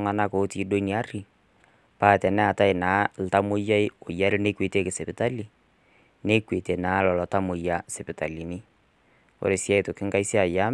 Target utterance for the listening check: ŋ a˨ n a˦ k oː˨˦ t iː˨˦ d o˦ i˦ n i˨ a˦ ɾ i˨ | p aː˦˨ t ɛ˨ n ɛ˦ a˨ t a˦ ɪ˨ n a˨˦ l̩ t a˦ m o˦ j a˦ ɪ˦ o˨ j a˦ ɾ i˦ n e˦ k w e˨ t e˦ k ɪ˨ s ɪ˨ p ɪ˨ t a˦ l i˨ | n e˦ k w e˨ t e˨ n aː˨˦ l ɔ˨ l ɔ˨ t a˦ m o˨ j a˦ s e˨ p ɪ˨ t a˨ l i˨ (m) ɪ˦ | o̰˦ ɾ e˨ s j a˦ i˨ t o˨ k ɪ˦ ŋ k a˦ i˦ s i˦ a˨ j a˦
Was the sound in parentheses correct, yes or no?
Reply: no